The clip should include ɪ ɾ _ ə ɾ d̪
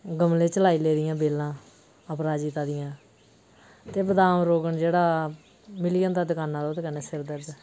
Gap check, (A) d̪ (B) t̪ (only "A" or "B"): A